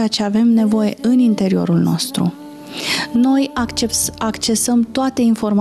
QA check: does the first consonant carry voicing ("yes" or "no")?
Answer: no